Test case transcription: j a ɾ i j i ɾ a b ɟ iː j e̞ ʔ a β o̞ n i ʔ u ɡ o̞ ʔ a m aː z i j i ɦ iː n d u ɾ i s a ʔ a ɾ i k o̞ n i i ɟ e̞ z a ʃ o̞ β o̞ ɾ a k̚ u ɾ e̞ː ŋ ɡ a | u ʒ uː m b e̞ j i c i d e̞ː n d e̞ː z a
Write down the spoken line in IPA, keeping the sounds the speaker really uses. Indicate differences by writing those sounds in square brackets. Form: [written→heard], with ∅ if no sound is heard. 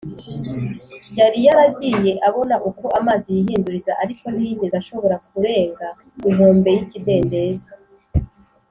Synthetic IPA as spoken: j a ɾ i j [i→a] ɾ a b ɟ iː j e̞ ʔ a β o̞ n [i→a] ʔ u [ɡ→k] o̞ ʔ a m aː z i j i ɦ iː n d u ɾ i [s→z] a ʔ a ɾ i k o̞ n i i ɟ e̞ z a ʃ o̞ β o̞ ɾ a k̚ u ɾ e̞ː ŋ ɡ a | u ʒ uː m b e̞ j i c i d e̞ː n d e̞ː z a